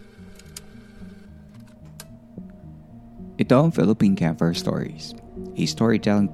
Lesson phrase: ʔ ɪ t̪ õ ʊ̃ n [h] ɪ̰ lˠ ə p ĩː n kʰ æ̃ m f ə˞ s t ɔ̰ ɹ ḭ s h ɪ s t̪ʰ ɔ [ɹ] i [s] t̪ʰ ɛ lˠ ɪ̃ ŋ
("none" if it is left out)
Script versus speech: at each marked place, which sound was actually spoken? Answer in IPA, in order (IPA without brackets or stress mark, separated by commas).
f, ɹ, none